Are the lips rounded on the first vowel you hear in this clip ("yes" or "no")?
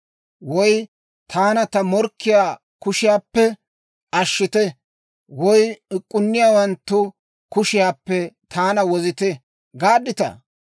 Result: yes